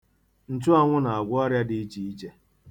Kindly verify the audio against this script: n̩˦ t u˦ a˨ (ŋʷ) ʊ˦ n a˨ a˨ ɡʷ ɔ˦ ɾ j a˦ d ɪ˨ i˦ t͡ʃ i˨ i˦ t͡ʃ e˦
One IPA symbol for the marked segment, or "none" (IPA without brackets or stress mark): ŋʷ